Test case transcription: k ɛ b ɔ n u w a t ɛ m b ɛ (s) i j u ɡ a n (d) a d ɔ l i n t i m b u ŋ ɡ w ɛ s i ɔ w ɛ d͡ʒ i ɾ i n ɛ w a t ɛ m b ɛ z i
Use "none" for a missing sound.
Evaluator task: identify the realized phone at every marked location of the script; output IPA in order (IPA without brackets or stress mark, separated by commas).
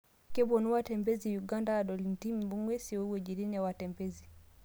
z, d